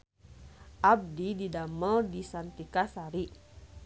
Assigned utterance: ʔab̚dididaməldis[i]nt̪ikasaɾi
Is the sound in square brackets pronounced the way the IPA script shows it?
no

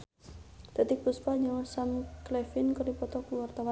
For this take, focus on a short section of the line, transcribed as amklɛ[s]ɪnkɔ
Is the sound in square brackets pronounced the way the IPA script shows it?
no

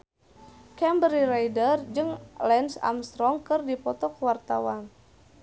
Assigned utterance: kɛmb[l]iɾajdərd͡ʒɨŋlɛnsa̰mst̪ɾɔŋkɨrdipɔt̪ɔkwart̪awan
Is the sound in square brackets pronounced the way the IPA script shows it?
no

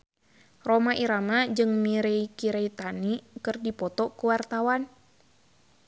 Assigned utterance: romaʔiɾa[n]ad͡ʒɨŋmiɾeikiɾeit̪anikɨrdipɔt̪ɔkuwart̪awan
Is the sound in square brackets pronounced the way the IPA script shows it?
no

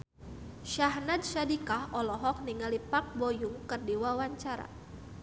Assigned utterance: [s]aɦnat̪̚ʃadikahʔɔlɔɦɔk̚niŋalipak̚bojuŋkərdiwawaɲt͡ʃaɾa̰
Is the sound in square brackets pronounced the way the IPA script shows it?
no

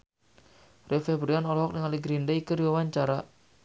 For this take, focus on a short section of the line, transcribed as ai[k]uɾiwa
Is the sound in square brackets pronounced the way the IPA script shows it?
yes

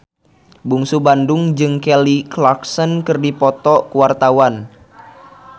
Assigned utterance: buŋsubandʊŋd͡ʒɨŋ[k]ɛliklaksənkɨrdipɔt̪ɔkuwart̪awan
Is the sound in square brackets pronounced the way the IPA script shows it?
yes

